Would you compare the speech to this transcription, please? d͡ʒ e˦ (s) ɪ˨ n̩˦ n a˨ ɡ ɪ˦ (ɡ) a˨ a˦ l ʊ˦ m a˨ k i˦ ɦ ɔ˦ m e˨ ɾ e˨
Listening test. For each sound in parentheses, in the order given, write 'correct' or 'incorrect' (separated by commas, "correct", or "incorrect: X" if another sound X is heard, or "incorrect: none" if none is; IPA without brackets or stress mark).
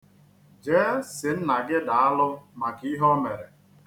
correct, incorrect: d